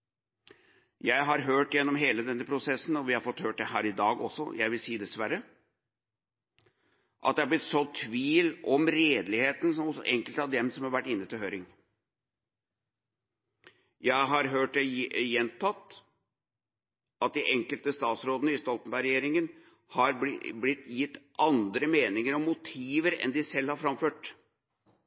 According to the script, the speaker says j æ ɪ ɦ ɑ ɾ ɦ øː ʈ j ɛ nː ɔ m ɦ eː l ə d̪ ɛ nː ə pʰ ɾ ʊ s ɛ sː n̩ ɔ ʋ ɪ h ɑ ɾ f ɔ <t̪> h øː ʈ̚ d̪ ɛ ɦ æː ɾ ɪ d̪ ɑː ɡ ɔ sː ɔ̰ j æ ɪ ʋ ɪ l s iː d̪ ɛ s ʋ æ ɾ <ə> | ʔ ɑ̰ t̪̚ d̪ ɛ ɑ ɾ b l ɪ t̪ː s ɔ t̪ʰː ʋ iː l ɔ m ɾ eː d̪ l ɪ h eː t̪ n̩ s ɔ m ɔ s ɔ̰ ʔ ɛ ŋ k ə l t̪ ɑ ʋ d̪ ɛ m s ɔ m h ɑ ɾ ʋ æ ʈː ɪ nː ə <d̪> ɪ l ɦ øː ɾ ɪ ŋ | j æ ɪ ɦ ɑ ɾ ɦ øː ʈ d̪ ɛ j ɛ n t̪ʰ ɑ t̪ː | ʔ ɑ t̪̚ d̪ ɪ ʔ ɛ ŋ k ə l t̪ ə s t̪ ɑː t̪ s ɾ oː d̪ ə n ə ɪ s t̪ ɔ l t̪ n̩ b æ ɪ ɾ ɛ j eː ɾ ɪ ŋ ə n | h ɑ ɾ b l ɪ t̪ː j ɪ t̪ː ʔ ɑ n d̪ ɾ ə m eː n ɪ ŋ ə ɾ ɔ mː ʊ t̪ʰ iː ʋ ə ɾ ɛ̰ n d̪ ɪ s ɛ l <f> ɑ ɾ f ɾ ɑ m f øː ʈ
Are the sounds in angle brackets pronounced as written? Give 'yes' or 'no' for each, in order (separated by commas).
yes, yes, no, no